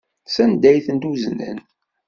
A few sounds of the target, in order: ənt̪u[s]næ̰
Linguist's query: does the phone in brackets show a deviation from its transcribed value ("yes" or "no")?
yes